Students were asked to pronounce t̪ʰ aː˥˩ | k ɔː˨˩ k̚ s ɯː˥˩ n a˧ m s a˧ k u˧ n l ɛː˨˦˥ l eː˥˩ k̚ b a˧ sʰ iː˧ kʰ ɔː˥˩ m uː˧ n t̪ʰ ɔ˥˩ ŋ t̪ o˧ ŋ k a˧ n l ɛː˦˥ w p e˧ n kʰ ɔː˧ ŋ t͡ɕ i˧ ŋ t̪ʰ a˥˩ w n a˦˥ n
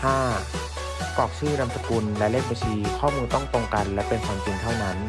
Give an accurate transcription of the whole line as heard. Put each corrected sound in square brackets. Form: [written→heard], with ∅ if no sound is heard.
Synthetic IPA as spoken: t̪ʰ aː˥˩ | k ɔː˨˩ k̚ s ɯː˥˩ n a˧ m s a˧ k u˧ n l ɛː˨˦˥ l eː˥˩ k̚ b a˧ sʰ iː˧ kʰ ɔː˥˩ m uː˧ n [t̪ʰ→t̪] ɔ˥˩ ŋ t̪ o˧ ŋ k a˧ n l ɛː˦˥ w p e˧ n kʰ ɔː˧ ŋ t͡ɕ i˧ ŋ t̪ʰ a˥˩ w n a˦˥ n